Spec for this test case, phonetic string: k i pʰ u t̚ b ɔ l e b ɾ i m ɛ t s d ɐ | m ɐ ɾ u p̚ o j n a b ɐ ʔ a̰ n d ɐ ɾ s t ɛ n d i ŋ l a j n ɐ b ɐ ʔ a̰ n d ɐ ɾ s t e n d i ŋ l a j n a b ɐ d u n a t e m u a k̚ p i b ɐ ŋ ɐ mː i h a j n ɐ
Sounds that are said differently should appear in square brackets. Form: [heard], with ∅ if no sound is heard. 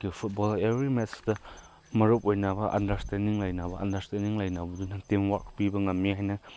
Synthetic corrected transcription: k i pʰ u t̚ b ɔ l e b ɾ i m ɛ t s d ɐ | m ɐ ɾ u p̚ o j n a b ɐ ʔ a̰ n d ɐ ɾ s t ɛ n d i ŋ l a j n [a] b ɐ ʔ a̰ n d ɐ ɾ s t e n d i ŋ l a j n a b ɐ d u n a t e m [w] a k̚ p i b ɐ ŋ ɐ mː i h a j n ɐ